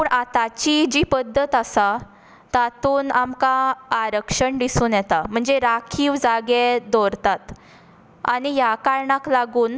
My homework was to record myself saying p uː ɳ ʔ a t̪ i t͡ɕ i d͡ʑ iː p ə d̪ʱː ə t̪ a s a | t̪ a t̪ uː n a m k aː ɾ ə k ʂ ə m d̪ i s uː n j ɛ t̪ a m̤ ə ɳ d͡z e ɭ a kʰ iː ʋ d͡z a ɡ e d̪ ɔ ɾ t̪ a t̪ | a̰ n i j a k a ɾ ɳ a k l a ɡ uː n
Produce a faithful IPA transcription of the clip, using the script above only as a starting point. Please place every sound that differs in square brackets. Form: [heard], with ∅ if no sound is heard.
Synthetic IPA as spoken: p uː ɳ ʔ a t̪ [a] t͡ɕ i d͡ʑ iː p ə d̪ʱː ə t̪ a s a | t̪ a t̪ uː n a m k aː ɾ ə k ʂ ə [ɳ] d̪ i s uː n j ɛ t̪ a m̤ ə ɳ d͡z e [ɾ] a kʰ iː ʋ d͡z a ɡ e d̪ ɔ ɾ t̪ a t̪ | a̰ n i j a k a ɾ ɳ a k l a ɡ uː n